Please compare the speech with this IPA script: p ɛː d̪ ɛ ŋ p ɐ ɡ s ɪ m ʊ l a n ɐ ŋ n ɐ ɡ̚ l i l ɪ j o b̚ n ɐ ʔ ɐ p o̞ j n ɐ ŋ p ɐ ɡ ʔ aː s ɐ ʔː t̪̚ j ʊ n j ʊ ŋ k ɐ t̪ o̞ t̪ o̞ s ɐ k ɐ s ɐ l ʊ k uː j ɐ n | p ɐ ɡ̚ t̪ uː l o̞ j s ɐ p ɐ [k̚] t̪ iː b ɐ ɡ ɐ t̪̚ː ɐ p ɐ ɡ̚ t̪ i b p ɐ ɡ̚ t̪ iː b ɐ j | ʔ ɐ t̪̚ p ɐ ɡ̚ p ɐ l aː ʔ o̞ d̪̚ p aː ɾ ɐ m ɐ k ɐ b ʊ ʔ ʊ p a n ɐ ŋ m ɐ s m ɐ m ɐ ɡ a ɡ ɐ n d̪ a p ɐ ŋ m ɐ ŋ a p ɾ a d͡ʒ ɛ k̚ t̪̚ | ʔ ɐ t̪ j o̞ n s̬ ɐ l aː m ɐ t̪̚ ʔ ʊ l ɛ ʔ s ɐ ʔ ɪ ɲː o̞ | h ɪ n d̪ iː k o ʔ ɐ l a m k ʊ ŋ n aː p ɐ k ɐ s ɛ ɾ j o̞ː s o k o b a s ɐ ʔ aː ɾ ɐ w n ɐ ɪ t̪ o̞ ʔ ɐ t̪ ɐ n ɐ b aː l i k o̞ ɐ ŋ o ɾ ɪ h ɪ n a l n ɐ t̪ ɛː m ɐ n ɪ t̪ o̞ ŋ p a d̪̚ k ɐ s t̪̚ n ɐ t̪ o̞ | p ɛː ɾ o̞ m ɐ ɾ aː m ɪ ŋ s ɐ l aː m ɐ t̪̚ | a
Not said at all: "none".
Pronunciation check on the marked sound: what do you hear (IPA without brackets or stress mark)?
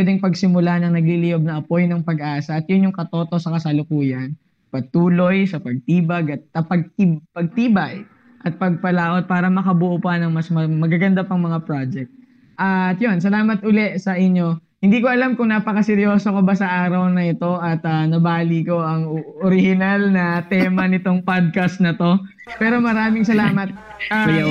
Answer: ɡ̚